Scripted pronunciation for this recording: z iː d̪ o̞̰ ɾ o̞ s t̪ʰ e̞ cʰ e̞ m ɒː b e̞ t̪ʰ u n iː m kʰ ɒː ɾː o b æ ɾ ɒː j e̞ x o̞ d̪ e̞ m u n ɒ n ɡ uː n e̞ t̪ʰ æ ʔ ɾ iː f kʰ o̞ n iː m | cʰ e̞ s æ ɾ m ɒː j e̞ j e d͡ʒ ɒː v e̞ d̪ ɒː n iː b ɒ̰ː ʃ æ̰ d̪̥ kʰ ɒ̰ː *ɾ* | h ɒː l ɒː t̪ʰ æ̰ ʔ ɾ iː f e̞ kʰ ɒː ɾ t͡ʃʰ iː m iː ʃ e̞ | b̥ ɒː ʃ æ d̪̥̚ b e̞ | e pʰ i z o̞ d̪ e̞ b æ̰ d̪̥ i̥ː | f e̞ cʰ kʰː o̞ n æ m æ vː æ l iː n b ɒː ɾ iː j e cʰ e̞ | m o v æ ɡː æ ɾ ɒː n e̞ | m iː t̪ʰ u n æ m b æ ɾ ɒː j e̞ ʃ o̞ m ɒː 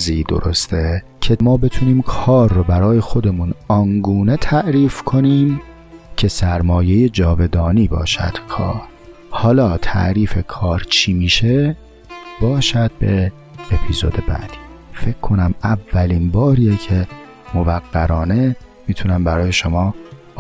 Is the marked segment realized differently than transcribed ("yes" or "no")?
no